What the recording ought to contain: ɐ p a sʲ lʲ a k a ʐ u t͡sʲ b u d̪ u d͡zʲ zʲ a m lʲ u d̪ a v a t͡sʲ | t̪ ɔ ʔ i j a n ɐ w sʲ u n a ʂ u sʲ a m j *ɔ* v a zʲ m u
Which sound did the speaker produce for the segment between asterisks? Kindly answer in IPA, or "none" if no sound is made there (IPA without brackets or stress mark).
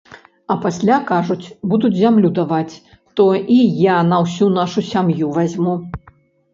u